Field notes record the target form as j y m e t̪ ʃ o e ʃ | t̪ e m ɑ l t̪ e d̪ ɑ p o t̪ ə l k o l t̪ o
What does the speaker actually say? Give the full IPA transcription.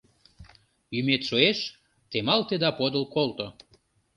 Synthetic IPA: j y m e t̪ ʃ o e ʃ | t̪ e m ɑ l t̪ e d̪ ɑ p o d̪ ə l k o l t̪ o